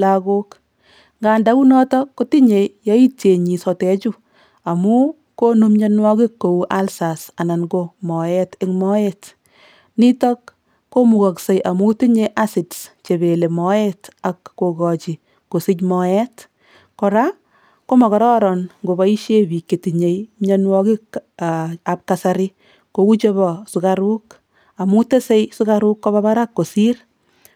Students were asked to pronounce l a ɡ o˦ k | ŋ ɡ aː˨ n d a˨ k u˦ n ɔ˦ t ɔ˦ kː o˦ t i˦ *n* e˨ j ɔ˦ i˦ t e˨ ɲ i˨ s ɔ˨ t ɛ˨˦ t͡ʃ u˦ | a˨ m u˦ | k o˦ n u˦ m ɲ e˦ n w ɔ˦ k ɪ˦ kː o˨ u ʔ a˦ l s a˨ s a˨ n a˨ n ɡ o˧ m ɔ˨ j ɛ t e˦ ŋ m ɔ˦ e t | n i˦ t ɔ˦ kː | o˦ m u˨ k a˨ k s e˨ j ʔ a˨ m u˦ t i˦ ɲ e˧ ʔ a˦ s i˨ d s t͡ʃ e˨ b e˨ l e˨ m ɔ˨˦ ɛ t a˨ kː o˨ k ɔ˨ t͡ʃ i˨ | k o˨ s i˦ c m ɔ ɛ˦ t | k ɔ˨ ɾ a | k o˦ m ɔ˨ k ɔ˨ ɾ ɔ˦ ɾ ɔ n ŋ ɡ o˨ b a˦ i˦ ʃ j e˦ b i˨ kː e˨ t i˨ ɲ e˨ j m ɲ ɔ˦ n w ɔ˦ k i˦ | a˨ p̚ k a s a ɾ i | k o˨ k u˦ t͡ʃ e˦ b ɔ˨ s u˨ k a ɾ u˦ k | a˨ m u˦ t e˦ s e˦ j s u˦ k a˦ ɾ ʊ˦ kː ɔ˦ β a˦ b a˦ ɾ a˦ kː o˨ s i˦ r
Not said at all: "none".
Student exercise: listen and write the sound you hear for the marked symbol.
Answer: ɲ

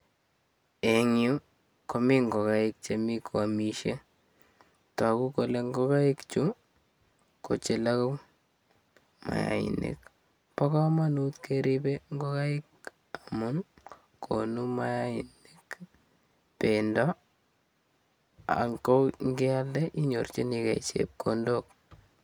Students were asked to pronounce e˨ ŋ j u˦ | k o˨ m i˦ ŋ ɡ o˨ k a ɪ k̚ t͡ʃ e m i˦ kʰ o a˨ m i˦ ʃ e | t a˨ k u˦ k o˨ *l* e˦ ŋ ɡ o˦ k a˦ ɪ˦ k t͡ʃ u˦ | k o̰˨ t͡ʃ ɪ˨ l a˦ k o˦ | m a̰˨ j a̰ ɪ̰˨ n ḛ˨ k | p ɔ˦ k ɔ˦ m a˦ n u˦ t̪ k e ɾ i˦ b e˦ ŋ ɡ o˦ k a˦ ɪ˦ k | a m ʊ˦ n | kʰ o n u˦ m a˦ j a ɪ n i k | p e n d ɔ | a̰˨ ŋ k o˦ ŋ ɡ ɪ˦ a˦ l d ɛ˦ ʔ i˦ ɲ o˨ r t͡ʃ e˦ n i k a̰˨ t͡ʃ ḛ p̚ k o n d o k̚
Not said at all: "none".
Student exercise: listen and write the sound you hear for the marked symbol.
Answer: l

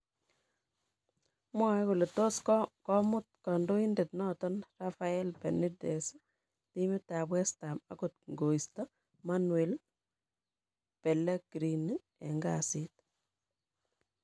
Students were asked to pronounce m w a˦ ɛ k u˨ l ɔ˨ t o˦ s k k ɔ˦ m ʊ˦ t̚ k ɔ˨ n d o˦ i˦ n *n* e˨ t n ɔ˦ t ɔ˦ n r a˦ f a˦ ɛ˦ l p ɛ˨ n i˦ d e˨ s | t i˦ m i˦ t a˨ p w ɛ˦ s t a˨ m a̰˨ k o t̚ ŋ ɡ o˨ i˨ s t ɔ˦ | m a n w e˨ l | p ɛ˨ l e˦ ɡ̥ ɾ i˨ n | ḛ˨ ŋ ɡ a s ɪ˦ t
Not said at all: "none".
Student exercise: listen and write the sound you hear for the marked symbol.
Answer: d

